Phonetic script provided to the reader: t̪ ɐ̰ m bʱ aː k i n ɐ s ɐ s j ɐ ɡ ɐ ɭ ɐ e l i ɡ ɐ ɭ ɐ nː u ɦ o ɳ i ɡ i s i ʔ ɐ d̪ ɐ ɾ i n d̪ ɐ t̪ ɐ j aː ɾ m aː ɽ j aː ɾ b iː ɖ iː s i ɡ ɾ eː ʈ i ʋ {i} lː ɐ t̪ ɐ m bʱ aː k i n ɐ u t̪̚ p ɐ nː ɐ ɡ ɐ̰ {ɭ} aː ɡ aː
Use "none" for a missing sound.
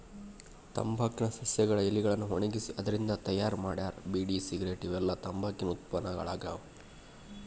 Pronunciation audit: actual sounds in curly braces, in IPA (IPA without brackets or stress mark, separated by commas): ɛ, ɭ